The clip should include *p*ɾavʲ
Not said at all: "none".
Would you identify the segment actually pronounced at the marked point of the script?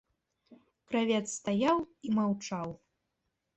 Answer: k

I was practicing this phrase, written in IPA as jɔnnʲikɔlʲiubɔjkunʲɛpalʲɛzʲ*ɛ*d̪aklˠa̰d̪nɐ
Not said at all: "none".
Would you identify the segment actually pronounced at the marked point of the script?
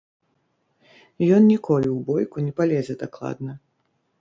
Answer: ɛ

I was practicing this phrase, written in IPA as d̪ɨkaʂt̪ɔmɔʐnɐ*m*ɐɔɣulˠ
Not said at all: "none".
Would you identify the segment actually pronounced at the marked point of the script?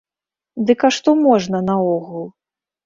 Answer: n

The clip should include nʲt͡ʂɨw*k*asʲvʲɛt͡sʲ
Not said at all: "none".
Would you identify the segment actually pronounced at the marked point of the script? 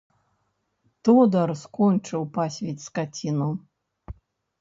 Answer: p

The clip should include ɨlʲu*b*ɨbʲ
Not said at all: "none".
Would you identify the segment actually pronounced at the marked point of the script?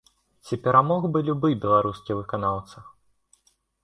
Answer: b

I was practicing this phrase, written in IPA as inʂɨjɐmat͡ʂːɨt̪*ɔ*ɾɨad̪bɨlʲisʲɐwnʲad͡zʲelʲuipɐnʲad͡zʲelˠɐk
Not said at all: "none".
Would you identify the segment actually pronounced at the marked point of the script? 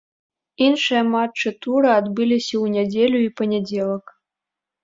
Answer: u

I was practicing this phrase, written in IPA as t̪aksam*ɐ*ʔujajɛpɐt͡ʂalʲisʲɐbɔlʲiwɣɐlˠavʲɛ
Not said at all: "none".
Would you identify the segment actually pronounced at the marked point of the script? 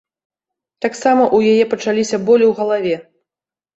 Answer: ɐ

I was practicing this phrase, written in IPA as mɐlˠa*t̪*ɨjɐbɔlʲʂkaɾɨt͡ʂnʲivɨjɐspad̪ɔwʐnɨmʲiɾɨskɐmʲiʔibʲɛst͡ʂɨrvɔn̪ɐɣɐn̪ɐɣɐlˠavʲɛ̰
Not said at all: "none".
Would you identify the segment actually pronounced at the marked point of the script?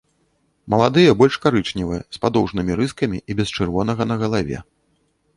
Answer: d̪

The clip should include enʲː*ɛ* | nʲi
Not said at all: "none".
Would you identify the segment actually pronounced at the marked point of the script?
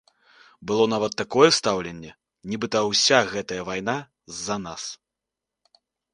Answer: ɛ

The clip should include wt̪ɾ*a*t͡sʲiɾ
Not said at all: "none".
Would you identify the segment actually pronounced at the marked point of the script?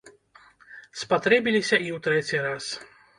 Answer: ɛ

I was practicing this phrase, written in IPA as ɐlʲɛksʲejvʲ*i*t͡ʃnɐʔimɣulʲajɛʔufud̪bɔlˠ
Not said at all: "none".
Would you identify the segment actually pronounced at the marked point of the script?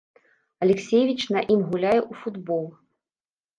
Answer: i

